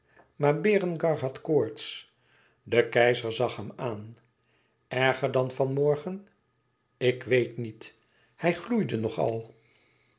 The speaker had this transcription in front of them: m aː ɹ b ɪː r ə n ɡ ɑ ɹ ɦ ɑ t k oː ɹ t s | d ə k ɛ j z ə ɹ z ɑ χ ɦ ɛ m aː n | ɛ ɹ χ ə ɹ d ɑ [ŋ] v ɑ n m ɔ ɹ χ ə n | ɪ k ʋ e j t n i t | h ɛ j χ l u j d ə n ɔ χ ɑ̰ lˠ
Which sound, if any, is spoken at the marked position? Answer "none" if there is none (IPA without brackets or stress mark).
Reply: n